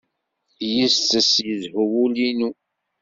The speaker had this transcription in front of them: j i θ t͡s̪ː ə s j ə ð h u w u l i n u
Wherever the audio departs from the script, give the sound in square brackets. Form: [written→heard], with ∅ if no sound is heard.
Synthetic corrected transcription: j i [θ→s] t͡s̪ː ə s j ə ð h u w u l i n u